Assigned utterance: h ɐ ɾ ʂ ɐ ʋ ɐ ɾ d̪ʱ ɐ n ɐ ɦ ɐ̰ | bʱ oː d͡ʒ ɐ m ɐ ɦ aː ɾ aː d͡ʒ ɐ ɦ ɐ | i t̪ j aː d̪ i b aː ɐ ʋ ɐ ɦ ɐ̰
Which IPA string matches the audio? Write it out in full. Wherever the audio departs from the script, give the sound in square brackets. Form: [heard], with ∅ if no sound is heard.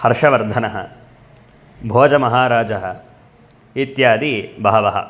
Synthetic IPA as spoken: h ɐ ɾ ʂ ɐ ʋ ɐ ɾ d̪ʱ ɐ n ɐ ɦ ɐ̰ | bʱ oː d͡ʒ ɐ m ɐ ɦ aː ɾ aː d͡ʒ ɐ ɦ ɐ | i t̪ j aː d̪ i b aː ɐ ʋ ɐ ɦ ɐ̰